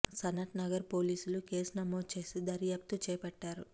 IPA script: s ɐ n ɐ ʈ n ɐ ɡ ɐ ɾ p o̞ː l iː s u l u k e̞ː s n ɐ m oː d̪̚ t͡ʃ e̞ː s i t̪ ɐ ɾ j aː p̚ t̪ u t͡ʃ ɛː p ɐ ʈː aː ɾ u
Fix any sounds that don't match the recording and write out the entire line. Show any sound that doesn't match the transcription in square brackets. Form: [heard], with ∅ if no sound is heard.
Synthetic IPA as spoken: s ɐ n ɐ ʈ n ɐ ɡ ɐ ɾ p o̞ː l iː s u l u k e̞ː s n ɐ m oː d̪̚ t͡ʃ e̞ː s i [d̪] ɐ ɾ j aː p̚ t̪ u t͡ʃ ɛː p ɐ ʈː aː ɾ u